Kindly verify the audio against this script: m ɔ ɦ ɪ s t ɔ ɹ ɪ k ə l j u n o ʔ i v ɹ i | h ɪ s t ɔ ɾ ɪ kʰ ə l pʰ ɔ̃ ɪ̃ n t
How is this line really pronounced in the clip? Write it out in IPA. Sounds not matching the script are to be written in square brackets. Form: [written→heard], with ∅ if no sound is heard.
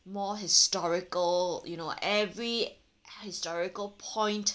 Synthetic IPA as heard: m ɔ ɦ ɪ s t ɔ ɹ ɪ k ə l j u n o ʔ [i→ɛ] v ɹ i | h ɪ s t ɔ [ɾ→ɹ] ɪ [kʰ→k] ə l pʰ ɔ̃ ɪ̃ n t